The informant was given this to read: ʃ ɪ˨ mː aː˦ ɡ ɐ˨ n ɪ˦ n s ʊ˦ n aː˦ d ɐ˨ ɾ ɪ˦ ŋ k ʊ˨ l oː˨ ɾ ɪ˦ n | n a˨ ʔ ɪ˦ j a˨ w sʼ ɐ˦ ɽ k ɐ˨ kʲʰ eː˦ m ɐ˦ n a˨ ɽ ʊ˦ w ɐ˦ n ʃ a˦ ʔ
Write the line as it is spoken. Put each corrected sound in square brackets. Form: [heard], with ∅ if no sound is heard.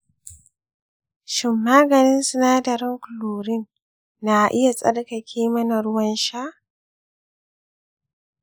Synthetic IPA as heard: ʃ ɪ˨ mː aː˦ ɡ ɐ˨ n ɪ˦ n s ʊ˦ n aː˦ d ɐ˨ ɾ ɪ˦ ŋ k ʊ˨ l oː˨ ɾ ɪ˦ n | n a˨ ʔ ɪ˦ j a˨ [∅] sʼ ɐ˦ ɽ k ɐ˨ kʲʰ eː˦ m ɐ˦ n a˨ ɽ ʊ˦ w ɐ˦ n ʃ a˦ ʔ